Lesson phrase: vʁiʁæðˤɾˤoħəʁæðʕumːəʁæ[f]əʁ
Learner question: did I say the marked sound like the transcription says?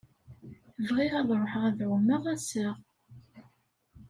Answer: no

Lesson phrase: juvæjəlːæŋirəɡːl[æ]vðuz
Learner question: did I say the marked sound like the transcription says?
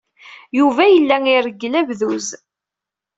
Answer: yes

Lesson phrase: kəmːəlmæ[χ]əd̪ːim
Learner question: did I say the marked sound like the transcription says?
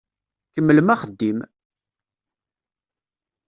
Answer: yes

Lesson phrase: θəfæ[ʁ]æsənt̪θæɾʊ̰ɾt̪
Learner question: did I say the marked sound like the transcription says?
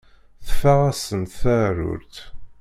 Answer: yes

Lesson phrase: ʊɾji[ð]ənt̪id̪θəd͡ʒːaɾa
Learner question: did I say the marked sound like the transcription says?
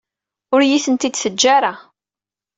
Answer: no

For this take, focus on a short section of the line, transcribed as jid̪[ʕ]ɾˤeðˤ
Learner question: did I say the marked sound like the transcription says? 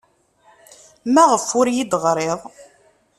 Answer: no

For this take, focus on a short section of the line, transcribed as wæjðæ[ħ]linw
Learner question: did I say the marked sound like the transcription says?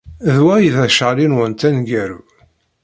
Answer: no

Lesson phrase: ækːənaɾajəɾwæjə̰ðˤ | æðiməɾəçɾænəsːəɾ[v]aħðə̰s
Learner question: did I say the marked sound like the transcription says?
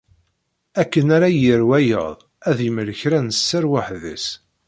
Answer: no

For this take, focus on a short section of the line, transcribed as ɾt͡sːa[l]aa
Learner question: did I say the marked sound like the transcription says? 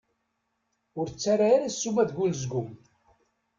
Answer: no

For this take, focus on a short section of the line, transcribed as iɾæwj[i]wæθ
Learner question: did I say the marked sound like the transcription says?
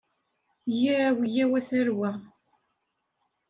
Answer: no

